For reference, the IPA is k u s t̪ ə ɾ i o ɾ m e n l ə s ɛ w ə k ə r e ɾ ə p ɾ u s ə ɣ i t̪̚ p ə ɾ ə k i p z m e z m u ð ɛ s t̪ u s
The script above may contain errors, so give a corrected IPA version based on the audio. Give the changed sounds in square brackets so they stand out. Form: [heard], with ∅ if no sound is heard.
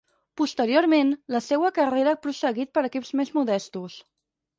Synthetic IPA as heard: [p] u s t̪ ə ɾ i o ɾ m e n l ə s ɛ w ə k ə r e ɾ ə p ɾ u s ə ɣ i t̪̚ p ə ɾ ə k i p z m e z m u ð ɛ s t̪ u s